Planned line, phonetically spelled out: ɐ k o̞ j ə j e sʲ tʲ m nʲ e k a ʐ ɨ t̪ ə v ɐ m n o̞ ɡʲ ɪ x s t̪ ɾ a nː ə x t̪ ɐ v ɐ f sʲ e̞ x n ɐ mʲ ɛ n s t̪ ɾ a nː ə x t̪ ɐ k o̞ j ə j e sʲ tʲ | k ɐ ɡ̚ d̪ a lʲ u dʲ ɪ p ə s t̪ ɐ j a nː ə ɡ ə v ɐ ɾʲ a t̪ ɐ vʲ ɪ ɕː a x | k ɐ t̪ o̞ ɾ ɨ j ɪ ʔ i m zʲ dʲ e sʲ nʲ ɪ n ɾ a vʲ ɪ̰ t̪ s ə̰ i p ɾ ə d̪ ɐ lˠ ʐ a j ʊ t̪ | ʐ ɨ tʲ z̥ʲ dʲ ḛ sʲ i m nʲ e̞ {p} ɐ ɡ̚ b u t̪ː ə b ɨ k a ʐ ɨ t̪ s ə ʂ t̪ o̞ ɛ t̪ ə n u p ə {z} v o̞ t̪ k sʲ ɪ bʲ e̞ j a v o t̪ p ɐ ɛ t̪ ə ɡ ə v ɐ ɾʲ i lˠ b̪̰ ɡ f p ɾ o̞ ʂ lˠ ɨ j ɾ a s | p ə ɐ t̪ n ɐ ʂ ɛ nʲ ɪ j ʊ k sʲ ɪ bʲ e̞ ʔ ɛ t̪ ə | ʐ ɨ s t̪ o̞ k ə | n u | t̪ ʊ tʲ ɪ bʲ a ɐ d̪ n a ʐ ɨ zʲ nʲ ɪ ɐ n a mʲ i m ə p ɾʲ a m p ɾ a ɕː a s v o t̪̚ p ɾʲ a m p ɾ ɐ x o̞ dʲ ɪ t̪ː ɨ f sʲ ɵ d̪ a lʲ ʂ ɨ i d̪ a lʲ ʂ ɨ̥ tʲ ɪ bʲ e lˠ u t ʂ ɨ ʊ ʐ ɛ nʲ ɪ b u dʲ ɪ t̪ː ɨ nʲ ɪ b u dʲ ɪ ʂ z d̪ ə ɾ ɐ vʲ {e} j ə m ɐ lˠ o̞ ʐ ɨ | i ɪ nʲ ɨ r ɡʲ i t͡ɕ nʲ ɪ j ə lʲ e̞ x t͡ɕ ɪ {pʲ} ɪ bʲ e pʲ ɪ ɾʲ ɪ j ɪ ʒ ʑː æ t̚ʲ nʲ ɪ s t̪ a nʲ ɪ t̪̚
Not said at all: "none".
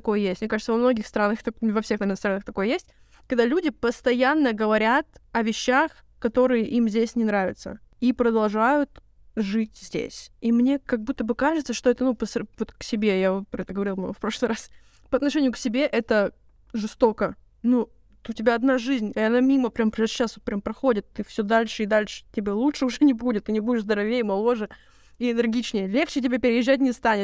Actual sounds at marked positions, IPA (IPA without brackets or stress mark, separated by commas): k, s, e, tʲ